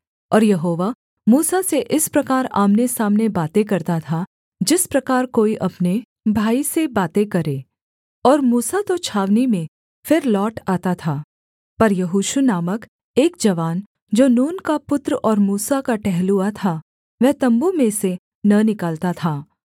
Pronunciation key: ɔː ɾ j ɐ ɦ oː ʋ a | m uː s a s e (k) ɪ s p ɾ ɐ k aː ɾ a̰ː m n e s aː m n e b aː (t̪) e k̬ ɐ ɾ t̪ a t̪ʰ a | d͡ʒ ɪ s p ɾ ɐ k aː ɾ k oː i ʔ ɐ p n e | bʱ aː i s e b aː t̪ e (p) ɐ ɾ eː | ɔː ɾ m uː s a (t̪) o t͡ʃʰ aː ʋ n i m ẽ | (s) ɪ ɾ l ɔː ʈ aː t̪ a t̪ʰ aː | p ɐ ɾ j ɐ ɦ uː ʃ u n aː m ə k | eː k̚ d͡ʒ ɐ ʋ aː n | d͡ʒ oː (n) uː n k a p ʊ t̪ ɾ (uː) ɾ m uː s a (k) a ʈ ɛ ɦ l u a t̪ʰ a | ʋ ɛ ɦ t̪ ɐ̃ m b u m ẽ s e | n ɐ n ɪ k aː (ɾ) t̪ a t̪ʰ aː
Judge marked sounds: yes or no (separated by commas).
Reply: no, yes, no, yes, no, yes, no, yes, no